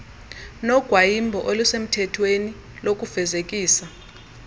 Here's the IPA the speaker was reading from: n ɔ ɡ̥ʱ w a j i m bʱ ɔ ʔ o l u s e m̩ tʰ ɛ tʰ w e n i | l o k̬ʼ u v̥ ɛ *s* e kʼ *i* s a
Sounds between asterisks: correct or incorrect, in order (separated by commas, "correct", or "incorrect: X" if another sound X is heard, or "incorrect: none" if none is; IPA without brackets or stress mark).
incorrect: z, incorrect: iː